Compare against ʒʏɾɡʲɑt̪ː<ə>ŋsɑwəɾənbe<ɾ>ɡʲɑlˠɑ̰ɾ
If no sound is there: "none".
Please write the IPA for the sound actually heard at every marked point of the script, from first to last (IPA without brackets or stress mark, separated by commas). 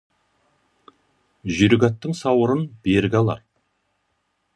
ə, ɾ